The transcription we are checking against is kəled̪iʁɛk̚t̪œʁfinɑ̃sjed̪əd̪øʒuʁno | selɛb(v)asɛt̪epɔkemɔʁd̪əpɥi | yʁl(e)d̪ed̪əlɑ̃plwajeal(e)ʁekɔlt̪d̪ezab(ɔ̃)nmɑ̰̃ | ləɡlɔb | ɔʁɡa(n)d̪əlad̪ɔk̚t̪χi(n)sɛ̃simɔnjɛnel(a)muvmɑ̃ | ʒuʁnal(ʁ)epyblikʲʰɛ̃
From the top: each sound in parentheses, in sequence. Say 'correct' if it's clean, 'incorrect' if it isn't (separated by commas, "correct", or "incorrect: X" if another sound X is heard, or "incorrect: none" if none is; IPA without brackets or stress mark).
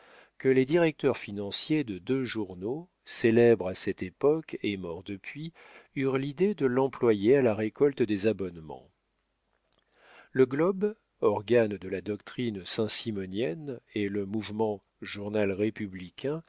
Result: incorrect: ʁ, incorrect: i, incorrect: a, incorrect: ɔ, correct, correct, incorrect: ə, correct